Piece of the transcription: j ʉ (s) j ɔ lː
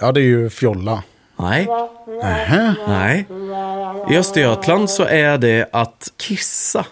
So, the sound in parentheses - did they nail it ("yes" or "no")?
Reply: no